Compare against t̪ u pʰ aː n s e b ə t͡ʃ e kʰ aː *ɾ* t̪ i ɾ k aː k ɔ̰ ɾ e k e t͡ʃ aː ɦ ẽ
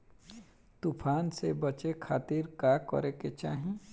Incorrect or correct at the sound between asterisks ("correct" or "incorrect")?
incorrect